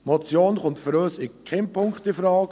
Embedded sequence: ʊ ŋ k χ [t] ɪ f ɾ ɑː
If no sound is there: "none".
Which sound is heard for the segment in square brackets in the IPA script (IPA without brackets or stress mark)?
t